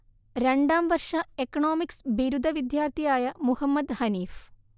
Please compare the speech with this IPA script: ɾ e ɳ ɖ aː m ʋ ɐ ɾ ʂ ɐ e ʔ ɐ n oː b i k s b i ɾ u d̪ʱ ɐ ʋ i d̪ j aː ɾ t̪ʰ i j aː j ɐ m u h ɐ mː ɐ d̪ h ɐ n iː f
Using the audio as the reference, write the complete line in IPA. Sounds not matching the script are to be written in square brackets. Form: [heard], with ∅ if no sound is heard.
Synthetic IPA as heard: ɾ e ɳ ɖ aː m ʋ ɐ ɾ ʂ ɐ e [k] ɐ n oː [m] i k s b i ɾ u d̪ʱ ɐ ʋ i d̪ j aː ɾ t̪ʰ i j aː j ɐ m u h ɐ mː ɐ d̪ h ɐ n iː f